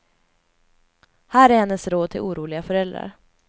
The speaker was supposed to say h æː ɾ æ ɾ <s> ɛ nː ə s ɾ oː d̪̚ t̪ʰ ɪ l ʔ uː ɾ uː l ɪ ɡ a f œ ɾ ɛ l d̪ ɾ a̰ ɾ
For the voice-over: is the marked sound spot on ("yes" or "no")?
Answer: no